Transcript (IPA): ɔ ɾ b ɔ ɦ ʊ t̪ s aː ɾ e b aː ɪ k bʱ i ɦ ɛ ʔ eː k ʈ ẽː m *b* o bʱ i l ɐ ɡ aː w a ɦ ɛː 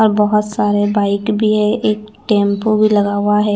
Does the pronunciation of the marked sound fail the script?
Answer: yes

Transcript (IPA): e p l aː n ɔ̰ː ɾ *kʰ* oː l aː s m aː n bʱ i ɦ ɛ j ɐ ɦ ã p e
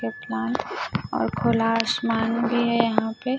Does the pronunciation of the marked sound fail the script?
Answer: no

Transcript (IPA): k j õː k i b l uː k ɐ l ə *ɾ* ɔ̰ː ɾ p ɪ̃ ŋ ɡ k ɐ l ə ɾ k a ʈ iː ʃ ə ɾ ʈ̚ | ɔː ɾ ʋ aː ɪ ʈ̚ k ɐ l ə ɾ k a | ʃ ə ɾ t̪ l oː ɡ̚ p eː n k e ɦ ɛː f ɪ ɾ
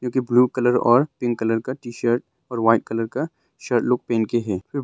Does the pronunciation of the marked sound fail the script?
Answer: no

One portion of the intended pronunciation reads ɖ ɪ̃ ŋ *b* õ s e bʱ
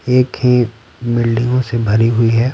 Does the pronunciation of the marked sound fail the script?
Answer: yes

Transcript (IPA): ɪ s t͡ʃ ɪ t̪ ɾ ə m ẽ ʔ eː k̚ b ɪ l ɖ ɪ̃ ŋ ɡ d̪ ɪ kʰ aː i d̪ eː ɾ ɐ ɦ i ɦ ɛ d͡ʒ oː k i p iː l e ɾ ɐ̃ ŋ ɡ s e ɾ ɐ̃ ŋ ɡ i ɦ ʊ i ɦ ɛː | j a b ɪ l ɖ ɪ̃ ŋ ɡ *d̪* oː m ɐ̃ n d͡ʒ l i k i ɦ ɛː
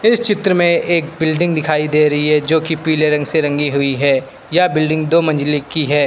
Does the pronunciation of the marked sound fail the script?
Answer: no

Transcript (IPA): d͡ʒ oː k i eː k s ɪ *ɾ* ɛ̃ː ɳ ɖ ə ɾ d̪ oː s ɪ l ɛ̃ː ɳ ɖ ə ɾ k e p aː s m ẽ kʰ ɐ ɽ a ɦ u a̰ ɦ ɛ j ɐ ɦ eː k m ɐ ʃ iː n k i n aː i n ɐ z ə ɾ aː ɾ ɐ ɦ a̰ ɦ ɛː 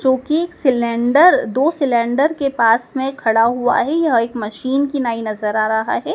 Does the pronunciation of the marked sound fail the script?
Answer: yes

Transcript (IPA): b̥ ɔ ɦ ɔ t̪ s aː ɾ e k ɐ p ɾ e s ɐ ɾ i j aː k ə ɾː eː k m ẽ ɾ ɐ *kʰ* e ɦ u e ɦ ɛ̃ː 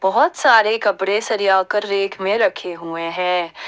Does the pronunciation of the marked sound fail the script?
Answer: no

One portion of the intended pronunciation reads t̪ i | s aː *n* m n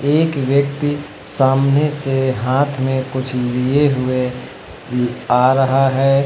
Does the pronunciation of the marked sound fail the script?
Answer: yes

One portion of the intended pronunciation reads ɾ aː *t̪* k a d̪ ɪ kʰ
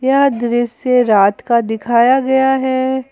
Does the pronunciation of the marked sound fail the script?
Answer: no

